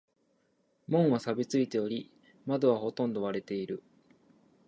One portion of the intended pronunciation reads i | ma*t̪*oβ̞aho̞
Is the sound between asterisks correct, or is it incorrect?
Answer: incorrect